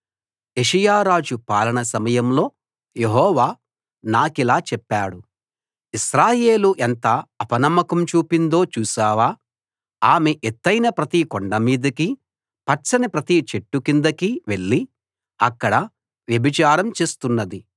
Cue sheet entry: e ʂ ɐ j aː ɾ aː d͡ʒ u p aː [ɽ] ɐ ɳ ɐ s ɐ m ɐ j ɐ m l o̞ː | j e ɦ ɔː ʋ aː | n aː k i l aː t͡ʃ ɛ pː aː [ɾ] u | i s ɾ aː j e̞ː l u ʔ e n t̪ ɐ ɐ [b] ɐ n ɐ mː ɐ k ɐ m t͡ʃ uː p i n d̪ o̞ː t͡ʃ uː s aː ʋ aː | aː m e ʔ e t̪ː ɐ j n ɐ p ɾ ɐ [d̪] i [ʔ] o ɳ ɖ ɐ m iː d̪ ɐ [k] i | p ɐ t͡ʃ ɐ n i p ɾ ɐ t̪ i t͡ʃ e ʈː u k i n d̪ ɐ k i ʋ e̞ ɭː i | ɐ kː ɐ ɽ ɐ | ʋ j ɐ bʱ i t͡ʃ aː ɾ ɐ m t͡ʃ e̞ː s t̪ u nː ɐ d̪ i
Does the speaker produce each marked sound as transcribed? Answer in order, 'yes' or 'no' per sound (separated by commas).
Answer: no, no, no, no, no, yes